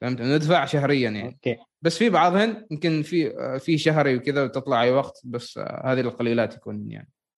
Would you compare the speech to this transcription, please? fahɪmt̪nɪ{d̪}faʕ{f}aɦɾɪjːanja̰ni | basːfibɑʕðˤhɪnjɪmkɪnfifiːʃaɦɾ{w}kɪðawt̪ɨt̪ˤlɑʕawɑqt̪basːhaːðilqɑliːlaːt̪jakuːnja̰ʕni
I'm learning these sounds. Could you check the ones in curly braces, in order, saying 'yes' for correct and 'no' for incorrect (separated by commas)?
yes, no, yes